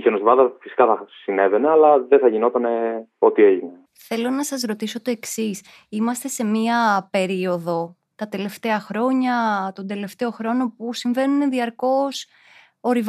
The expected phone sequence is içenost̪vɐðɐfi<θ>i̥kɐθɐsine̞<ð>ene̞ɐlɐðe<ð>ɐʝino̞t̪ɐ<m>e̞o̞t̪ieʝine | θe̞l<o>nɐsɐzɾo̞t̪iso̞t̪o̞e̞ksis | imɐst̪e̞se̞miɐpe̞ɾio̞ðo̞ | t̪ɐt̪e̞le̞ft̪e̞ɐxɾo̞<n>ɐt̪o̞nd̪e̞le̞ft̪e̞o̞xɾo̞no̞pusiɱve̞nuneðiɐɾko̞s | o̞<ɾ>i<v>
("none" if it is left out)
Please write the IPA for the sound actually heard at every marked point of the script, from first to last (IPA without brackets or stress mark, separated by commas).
s, v, θ, n, o, ɲ, ɾ, v